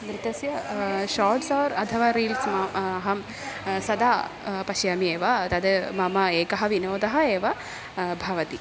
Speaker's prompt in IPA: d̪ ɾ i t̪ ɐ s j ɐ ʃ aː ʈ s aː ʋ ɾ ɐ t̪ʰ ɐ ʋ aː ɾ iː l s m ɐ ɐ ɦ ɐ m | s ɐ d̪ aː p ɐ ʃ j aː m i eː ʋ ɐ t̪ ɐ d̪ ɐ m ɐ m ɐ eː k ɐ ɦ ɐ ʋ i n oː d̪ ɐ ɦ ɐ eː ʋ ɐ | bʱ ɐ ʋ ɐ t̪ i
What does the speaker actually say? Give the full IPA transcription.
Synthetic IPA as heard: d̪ ɾ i t̪ ɐ s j ɐ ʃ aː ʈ s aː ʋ ɾ ɐ t̪ʰ ɐ ʋ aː ɾ iː l s m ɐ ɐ ɦ ɐ m | s ɐ d̪ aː p ɐ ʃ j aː m i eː ʋ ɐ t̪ ɐ d̪ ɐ m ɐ m ɐ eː k ɐ ɦ ɐ ʋ i n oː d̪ ɐ ɦ ɐ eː ʋ ɐ | bʱ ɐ ʋ ɐ t̪ i